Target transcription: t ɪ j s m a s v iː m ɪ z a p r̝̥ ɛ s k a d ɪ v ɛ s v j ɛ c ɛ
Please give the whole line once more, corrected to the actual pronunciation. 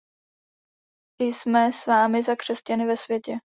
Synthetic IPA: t ɪ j s m ɛ s v aː m ɪ z a k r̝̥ ɛ s c a n ɪ v ɛ s v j ɛ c ɛ